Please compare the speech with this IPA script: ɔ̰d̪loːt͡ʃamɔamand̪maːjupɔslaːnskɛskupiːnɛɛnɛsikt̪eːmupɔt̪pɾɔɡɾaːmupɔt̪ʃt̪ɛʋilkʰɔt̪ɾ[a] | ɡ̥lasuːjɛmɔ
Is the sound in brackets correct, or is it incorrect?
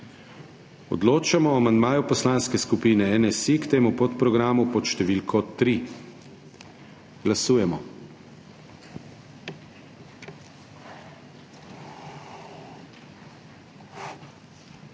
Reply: incorrect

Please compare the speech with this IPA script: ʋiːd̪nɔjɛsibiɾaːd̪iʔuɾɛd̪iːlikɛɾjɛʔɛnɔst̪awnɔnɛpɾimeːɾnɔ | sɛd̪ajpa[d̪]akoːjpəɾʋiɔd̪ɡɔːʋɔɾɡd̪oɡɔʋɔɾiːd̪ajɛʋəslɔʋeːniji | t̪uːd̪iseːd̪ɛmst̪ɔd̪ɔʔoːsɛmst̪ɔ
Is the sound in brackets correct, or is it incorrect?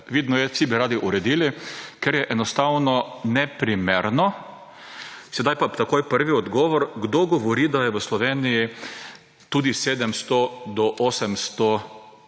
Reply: incorrect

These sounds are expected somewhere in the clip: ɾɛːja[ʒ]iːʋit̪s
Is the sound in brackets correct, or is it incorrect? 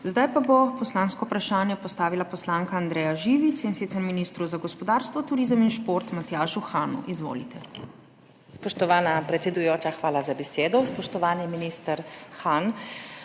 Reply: correct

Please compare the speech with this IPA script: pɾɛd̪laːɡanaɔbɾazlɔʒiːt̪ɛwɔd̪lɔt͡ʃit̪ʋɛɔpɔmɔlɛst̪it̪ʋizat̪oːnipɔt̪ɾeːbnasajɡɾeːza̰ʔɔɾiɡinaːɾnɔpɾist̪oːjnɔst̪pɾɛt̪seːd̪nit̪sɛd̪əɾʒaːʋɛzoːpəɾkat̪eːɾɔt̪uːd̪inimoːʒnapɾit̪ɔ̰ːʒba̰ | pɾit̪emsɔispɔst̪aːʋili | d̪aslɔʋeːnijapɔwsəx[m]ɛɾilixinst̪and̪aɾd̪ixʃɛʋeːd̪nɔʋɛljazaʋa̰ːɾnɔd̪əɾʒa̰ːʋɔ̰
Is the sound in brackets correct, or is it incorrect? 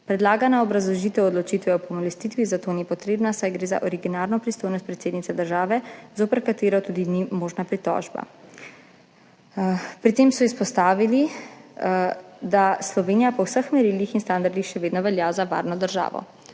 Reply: correct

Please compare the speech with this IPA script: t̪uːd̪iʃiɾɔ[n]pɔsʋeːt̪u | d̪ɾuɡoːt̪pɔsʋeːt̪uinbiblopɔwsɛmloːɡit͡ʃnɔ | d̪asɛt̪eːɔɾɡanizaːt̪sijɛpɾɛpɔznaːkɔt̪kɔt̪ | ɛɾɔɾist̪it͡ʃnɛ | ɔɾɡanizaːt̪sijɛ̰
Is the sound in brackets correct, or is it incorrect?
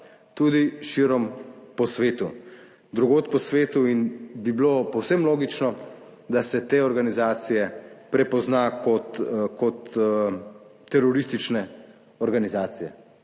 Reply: incorrect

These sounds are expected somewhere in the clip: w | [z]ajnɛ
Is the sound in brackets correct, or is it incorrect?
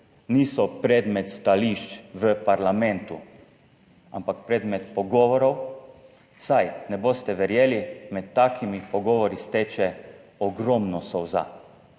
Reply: incorrect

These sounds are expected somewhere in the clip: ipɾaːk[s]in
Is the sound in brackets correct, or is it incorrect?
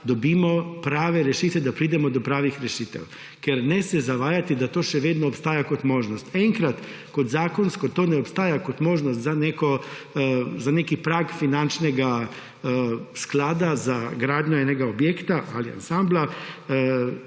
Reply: incorrect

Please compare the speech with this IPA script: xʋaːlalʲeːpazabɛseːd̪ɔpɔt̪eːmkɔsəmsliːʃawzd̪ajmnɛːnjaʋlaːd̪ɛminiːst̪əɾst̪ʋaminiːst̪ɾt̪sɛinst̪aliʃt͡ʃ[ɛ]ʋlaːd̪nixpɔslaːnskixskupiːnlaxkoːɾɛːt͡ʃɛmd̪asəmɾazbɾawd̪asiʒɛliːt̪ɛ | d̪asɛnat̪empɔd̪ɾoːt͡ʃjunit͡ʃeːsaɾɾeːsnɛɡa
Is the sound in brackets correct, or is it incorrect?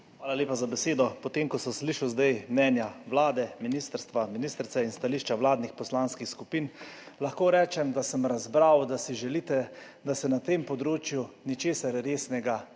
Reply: incorrect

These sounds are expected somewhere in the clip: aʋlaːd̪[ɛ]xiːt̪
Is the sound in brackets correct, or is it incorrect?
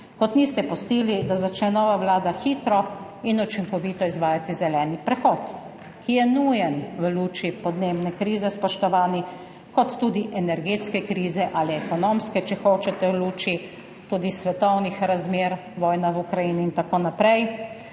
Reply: incorrect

